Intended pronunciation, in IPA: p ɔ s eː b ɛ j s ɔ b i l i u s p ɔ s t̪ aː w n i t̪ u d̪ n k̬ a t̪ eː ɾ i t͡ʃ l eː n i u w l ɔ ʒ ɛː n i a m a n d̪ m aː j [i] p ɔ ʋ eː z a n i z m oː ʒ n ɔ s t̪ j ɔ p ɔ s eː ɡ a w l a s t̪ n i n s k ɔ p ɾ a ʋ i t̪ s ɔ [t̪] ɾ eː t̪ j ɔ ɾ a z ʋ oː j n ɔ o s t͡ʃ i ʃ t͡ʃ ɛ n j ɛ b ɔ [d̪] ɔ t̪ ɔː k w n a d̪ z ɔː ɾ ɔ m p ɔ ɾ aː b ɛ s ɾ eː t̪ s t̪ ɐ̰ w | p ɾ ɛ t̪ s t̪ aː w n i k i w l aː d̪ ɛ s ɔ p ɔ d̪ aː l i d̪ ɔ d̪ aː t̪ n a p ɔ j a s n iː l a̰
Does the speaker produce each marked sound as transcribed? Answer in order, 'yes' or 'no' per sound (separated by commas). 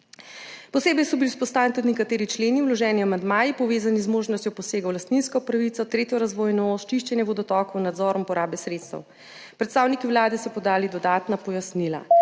yes, yes, yes